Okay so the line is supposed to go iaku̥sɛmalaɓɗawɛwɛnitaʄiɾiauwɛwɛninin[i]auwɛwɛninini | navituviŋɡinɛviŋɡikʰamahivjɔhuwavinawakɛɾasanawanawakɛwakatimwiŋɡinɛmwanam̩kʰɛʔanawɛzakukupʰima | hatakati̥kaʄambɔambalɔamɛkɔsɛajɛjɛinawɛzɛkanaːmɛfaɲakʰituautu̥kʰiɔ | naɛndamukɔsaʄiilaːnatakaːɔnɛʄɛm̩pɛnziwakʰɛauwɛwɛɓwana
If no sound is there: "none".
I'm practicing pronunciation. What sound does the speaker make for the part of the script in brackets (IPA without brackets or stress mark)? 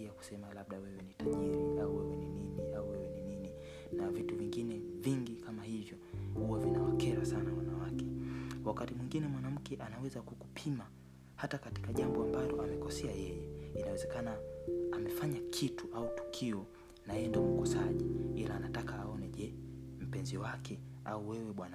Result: i